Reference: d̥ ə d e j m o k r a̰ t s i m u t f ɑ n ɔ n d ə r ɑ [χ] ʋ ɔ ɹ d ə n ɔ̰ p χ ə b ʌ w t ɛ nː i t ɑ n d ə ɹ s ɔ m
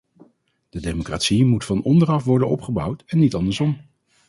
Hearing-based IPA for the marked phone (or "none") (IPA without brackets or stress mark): f